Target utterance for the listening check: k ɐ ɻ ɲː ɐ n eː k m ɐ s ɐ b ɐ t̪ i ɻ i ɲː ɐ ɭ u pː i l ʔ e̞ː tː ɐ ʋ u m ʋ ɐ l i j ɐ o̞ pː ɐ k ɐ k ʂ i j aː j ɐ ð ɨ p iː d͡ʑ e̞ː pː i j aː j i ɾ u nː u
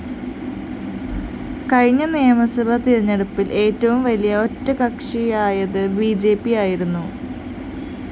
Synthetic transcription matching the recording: k ɐ ɻ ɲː ɐ n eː m ɐ s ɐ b ɐ t̪ i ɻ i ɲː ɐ ɽ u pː i l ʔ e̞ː tː ɐ ʋ u m ʋ ɐ l i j ɐ o̞ tː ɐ k ɐ k ʂ i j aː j ɐ ð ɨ b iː d͡ʑ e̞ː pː i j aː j i ɾ u nː u